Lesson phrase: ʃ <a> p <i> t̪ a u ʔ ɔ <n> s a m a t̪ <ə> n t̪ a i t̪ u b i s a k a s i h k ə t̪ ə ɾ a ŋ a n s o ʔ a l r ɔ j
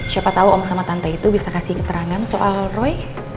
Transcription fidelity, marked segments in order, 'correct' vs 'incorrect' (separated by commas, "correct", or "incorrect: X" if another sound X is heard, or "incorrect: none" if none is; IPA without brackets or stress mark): correct, incorrect: a, incorrect: m, incorrect: a